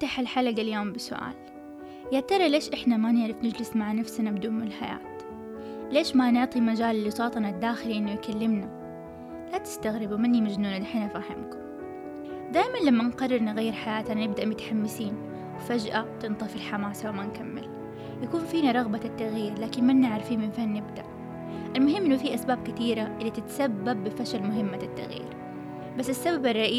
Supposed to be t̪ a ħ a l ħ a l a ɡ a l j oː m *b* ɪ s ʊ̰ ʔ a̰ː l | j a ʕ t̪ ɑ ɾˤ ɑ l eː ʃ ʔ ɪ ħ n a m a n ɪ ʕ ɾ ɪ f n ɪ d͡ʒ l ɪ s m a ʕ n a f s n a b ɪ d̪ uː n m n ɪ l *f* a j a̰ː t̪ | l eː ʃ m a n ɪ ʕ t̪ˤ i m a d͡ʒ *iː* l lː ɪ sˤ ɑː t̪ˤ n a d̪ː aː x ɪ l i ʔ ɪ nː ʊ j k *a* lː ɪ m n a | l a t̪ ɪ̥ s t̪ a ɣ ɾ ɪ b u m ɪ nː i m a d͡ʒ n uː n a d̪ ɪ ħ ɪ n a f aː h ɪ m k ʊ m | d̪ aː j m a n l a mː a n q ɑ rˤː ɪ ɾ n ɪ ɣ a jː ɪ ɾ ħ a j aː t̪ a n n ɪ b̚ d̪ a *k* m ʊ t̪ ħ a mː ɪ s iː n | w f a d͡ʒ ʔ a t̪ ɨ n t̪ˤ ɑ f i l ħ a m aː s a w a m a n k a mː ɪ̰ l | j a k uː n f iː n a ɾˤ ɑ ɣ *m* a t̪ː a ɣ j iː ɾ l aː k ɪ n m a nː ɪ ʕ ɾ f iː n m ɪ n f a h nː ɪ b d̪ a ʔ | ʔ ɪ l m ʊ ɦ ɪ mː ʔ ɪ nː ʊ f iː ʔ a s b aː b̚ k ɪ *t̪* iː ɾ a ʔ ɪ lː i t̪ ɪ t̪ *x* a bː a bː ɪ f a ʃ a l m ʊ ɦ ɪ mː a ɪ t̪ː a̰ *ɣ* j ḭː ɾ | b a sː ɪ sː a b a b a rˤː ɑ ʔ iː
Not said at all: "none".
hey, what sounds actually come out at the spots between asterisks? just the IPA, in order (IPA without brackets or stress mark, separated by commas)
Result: b, ħ, aː, a, ʔ, b, t̪, s, ɣ